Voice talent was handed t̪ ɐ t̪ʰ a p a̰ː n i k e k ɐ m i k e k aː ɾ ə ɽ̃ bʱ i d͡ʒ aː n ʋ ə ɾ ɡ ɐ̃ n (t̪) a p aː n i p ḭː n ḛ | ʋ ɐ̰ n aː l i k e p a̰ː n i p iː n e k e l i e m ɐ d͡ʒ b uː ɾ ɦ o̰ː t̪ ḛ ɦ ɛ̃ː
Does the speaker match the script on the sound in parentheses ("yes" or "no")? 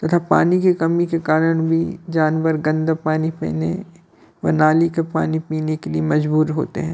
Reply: no